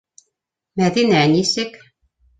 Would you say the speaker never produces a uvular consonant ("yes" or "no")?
yes